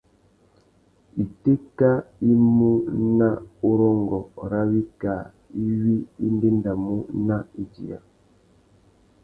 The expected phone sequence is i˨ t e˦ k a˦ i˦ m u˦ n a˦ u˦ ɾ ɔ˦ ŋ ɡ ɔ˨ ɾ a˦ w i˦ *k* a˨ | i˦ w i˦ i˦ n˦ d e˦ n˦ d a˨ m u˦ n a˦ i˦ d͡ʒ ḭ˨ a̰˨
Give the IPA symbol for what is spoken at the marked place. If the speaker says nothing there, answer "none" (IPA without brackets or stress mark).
k